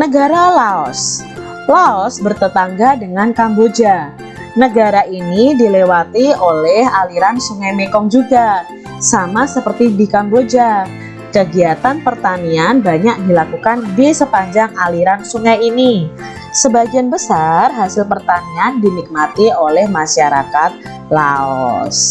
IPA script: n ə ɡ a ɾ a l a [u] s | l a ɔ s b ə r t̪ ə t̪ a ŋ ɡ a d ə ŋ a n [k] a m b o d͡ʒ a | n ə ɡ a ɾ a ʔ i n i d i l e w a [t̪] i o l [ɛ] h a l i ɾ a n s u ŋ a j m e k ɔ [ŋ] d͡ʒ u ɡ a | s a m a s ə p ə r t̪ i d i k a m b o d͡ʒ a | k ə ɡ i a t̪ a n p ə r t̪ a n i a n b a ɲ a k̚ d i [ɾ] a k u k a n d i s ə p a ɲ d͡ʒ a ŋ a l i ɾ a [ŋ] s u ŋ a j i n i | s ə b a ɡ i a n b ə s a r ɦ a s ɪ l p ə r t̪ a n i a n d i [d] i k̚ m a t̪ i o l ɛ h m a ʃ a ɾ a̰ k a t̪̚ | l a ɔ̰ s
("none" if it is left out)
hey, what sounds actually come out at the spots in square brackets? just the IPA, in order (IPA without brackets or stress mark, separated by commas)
ɔ, k, t̪, ɛ, ŋ, l, n, n